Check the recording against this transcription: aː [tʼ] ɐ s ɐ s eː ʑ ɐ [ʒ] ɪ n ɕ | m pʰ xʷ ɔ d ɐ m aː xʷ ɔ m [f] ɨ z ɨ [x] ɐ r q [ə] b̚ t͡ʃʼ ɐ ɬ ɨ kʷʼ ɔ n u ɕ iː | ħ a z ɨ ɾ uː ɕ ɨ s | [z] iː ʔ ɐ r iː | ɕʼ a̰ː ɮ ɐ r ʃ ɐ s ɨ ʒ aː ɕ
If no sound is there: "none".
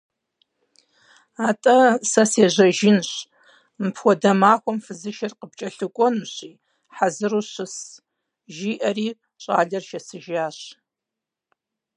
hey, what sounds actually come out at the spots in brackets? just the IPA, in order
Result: tʼ, ʒ, f, ʃ, ə, ʒ

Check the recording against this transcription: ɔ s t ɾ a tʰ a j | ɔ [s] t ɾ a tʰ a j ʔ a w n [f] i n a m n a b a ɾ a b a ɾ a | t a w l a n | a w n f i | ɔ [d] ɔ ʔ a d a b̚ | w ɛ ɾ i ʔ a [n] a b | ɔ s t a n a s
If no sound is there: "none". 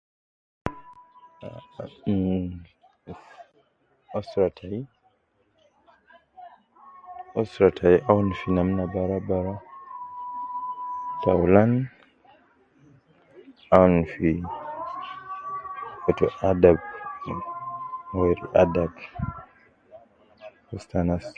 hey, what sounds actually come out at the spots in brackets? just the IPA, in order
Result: s, f, t, d

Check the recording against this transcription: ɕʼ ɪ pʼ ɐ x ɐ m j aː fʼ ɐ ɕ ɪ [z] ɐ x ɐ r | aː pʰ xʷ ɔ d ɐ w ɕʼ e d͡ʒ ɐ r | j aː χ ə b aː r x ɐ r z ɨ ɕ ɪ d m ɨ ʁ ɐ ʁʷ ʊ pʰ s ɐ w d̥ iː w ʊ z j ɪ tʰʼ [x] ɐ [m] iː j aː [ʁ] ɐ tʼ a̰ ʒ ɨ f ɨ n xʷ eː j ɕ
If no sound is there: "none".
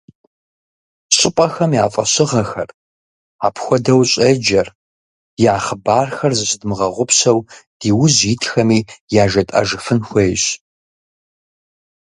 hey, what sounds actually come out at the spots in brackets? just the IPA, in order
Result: ʁ, x, m, ʒ

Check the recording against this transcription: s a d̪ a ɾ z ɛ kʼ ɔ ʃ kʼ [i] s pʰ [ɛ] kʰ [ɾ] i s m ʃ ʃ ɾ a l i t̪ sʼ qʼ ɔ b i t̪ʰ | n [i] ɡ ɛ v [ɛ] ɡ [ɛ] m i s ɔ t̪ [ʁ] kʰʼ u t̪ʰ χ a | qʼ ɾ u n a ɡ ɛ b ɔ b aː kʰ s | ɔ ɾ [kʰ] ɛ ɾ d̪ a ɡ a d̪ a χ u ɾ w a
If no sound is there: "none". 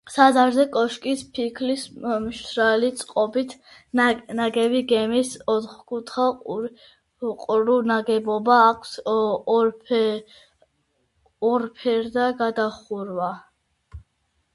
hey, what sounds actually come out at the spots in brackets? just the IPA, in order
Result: i, i, l, a, i, ɛ, χ, pʰ

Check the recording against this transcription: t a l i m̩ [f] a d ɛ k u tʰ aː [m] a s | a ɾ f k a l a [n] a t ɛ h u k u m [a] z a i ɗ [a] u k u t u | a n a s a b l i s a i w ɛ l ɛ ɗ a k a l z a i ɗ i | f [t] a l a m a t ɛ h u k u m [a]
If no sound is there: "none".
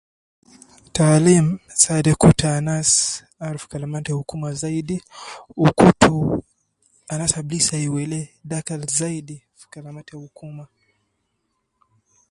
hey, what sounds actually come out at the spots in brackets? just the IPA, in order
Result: s, n, m, a, i, k, a

